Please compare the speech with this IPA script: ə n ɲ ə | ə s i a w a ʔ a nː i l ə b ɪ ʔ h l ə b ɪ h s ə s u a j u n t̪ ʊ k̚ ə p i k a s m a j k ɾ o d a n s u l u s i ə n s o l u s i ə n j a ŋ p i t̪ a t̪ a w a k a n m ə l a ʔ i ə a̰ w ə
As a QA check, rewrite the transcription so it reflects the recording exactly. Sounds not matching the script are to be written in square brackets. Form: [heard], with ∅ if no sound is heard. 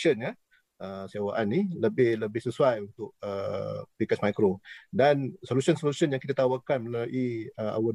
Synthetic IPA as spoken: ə n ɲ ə | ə s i a w a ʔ a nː i l ə b ɪ [∅] h l ə b ɪ h s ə s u a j u n t̪ ʊ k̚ ə p i k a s m a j k ɾ o d a n s [o] l u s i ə n s o l u s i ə n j a ŋ [k] i t̪ a t̪ a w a k a n m ə l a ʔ i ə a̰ w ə